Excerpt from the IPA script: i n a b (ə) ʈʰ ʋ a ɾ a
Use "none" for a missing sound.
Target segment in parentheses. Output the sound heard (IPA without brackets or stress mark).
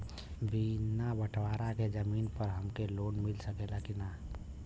ə